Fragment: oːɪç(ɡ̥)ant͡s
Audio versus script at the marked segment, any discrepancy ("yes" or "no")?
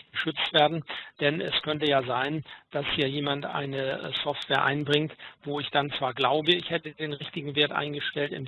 yes